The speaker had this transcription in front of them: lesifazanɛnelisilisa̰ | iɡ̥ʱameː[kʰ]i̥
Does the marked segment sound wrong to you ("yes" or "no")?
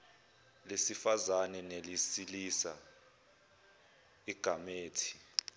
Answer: yes